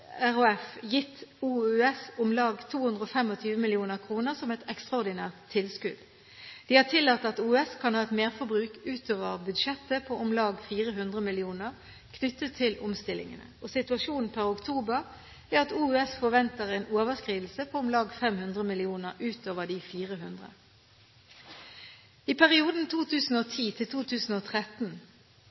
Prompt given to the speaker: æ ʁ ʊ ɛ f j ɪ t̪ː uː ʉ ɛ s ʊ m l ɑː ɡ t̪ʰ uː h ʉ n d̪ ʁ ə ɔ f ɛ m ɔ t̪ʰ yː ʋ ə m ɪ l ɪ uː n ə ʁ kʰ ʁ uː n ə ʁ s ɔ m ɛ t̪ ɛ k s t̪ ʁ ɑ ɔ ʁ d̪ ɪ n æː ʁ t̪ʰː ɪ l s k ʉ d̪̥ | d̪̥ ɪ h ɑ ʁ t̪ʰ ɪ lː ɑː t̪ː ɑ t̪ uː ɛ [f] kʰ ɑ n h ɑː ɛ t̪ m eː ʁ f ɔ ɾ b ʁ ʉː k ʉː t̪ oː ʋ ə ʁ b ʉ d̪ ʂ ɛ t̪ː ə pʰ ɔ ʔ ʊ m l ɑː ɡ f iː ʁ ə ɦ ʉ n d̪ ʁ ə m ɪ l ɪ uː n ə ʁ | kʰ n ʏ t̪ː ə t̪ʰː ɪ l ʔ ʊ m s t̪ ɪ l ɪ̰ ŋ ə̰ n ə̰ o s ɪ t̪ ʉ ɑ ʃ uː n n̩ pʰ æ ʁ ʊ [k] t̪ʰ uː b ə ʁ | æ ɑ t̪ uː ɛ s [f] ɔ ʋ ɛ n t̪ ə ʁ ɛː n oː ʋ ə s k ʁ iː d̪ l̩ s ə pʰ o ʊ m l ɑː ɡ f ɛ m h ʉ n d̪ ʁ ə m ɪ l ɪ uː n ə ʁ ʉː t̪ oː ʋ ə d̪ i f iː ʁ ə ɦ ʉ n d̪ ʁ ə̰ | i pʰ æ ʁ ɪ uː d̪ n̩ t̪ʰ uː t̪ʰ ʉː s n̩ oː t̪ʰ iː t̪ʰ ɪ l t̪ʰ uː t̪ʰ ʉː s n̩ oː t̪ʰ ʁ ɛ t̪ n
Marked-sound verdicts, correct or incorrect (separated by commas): incorrect, correct, correct